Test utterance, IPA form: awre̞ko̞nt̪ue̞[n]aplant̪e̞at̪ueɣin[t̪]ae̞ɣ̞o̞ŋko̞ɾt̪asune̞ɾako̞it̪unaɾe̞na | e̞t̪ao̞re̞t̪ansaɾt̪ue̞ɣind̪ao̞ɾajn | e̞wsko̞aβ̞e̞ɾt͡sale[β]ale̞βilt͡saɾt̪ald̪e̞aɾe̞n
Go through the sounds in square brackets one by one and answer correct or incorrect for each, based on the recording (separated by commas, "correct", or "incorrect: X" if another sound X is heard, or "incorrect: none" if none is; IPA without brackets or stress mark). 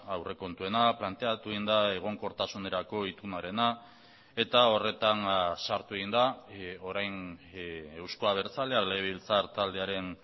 correct, incorrect: d̪, incorrect: none